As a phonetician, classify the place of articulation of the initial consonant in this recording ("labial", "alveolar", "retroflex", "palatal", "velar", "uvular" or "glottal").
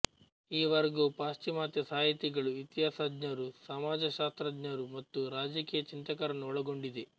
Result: labial